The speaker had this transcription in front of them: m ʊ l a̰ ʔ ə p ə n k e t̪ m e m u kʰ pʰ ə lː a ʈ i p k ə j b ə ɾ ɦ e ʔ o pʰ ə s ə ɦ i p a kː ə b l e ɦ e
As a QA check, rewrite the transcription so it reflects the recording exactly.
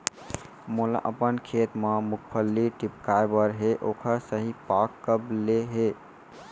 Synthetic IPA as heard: m u l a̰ ʔ ə p ə n kʰ e t̪ m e m u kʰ pʰ ə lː i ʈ i p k a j b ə ɾ ɦ e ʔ o kʰ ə s ə ɦ i p a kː ə b l e ɦ e